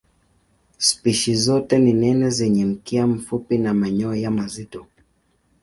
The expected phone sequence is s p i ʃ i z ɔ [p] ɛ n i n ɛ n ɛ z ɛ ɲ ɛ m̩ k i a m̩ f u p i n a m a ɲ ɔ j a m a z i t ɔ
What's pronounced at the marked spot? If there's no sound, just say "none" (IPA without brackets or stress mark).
t